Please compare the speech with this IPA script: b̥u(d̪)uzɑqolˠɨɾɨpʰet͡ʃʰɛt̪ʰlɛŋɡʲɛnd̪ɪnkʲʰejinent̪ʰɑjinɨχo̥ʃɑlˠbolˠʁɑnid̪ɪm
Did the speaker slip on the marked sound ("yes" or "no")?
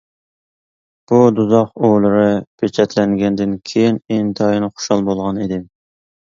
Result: no